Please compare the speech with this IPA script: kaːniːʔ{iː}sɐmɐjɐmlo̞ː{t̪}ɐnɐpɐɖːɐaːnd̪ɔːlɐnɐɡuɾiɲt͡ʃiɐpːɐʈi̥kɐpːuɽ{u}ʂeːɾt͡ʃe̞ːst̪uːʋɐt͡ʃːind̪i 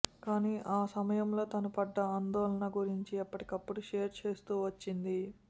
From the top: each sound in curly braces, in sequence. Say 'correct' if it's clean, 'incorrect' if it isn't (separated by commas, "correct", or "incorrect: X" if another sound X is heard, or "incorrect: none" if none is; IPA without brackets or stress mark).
incorrect: aː, correct, correct